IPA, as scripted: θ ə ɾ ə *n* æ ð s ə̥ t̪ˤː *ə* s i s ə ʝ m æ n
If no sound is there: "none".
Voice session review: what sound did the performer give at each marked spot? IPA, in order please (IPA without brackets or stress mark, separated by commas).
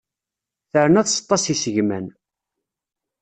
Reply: n, ɑ